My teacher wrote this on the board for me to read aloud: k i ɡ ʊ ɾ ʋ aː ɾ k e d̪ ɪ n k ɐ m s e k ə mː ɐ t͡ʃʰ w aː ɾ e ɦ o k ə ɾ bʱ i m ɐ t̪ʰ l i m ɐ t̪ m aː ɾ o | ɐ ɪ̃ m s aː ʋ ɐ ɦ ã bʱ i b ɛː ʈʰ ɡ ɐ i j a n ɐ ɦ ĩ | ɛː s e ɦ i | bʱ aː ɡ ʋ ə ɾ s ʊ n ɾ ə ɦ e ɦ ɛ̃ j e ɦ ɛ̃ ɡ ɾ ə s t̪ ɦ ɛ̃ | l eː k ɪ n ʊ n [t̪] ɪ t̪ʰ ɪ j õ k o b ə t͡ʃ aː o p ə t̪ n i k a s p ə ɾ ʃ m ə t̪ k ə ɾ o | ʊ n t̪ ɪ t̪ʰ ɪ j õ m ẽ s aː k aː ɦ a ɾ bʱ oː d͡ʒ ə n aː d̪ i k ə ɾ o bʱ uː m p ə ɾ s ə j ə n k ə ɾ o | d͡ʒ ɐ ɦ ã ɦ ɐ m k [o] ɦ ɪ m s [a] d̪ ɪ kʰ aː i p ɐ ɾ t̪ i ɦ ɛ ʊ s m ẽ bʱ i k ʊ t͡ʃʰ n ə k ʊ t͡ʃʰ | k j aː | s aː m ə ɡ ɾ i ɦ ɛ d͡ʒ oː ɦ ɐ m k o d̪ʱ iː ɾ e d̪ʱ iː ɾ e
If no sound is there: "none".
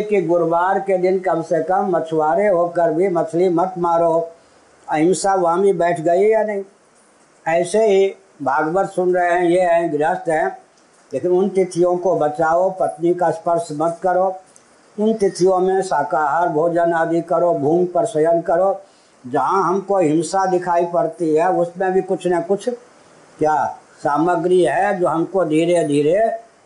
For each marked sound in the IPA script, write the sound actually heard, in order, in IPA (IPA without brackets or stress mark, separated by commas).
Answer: t̪, o, a